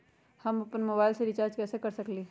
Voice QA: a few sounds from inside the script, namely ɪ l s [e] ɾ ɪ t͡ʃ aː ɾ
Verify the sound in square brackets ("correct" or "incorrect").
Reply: correct